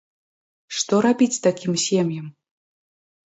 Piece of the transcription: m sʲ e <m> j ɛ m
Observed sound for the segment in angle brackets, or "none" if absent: m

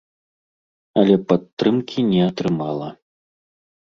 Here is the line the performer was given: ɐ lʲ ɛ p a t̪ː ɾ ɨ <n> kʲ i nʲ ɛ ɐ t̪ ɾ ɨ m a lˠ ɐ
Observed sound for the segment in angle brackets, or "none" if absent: m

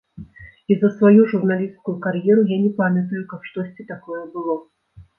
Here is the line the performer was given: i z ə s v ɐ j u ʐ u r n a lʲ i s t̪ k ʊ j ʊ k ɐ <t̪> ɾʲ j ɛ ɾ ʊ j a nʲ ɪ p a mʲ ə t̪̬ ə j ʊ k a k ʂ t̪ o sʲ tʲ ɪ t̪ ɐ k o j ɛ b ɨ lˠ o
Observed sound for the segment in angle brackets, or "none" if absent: none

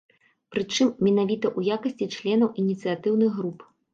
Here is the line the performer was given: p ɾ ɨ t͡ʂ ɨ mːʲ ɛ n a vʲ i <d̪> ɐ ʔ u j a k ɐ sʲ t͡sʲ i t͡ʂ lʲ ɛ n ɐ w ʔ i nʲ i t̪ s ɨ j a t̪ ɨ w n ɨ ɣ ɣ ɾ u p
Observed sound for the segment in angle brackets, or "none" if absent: t̪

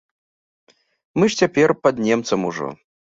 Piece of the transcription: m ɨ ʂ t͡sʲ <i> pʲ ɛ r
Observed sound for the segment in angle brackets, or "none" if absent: a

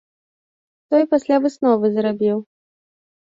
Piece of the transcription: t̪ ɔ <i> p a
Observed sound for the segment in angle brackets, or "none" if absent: j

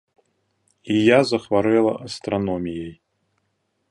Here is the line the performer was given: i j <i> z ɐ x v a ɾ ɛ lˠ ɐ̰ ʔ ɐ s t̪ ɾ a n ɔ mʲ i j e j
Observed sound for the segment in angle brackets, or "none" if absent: a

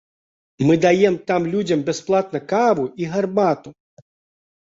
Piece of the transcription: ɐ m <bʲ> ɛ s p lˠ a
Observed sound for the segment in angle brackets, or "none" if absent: bʲ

